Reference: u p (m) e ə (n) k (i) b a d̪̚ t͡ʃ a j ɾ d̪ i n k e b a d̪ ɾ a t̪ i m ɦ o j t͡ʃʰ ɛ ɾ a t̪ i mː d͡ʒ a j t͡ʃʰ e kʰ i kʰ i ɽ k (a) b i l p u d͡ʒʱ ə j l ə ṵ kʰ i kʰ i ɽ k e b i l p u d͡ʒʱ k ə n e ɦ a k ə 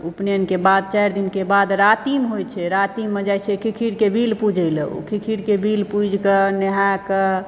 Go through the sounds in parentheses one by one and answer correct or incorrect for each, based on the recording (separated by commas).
incorrect, correct, incorrect, incorrect